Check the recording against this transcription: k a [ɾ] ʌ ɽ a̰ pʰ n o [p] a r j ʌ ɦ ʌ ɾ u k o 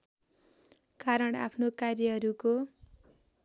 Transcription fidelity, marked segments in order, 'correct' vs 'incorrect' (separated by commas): correct, incorrect